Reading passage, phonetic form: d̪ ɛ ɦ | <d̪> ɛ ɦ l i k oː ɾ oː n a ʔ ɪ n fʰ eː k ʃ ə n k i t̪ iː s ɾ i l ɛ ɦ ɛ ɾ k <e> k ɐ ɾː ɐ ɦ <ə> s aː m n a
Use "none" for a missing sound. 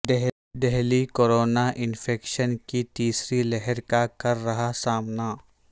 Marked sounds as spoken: d̪, a, a

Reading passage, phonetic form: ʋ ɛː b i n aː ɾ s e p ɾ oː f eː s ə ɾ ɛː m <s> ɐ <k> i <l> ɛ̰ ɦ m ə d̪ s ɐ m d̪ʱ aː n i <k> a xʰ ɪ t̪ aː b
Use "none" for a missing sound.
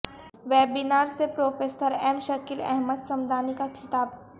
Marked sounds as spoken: ʃ, k, l, k

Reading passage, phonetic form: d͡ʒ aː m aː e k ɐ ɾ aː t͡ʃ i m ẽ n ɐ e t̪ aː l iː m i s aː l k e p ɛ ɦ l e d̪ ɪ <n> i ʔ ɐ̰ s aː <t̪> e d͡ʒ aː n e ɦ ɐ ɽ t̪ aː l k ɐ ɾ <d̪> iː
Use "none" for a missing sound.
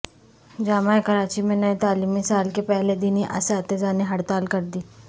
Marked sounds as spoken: n, t̪, d̪

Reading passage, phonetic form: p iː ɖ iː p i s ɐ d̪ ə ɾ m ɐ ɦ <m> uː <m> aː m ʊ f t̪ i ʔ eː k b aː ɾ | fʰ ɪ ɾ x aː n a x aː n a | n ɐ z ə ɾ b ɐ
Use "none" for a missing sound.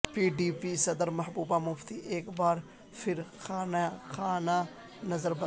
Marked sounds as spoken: b, b

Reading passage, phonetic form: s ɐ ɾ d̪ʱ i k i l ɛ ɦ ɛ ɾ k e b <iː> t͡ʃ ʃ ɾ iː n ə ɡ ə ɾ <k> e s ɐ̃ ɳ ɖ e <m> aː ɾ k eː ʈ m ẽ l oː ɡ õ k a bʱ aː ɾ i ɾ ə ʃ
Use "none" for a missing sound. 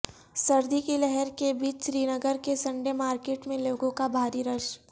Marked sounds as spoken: iː, k, m

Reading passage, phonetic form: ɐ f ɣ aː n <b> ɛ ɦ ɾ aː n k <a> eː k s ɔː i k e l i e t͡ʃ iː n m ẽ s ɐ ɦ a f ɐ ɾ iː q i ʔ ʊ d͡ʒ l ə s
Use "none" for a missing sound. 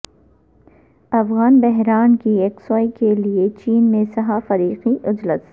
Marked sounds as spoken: b, i

